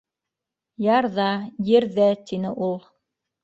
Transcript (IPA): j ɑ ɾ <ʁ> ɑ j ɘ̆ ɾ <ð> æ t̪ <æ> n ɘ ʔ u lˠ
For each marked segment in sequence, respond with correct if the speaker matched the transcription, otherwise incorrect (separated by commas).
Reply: incorrect, correct, incorrect